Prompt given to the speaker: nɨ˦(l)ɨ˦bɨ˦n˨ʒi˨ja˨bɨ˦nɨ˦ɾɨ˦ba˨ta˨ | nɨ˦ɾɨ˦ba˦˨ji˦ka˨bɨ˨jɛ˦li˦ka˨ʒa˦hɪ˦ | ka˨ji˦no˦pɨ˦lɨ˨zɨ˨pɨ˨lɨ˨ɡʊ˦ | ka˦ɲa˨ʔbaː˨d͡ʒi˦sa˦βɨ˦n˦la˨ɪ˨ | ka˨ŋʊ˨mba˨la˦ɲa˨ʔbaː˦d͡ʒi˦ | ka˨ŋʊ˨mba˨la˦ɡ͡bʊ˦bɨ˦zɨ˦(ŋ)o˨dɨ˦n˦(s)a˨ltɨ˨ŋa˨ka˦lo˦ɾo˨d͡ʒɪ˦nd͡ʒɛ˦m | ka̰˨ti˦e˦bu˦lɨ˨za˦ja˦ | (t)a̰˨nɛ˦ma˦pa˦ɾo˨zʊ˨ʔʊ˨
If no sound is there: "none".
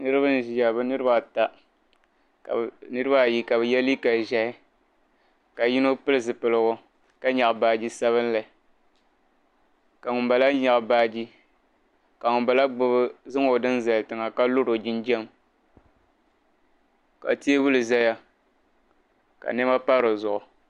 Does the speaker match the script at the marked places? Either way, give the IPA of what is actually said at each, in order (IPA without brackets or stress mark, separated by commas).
ɾ, ŋ, z, k